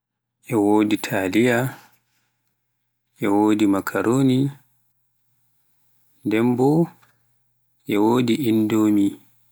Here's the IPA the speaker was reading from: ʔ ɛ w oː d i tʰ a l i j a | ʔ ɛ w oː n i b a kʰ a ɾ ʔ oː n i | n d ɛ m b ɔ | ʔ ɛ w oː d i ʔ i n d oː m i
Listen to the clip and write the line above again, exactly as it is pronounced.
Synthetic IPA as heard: ʔ ɛ w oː d i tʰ a l i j a | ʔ ɛ w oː d i m a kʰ a ɾ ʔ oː n i | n d ɛ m b ɔ | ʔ ɛ w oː d i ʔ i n d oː m i